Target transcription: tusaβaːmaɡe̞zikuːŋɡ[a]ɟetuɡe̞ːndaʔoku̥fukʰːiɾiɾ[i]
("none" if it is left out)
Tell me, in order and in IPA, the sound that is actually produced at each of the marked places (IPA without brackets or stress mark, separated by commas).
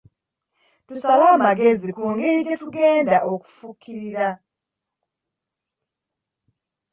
e, a